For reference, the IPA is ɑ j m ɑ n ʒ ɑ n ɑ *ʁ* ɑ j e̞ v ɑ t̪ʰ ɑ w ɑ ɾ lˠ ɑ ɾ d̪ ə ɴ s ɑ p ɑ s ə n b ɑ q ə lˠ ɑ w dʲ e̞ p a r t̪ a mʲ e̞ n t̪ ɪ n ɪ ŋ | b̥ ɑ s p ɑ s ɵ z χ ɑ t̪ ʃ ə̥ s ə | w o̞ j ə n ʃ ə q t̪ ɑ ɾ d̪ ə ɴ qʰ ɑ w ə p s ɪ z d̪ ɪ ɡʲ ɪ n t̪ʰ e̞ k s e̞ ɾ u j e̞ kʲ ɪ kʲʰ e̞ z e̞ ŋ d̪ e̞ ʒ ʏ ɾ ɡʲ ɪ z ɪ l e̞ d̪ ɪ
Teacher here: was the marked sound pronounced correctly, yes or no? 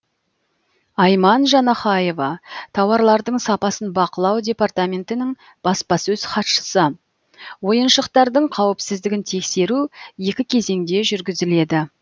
no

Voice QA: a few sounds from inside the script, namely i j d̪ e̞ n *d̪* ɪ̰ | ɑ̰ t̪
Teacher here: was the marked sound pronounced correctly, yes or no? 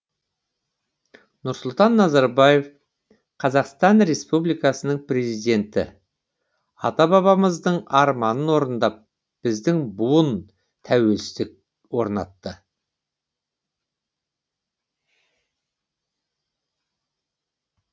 no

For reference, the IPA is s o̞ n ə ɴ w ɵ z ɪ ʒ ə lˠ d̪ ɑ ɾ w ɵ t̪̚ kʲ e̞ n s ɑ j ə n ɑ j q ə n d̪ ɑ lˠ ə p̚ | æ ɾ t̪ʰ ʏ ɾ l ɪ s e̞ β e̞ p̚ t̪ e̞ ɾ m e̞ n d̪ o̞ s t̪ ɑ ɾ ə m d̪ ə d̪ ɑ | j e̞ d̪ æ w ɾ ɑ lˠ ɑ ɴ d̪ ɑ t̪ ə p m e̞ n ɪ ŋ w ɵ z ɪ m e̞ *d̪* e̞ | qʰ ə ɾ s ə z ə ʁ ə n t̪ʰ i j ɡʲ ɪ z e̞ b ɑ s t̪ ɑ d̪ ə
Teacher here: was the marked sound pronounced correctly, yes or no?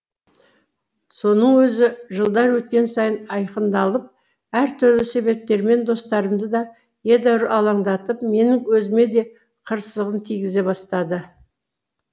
yes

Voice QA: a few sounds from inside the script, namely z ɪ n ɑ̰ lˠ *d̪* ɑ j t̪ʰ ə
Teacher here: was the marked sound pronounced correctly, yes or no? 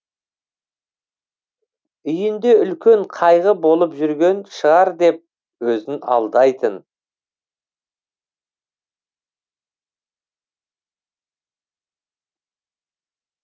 yes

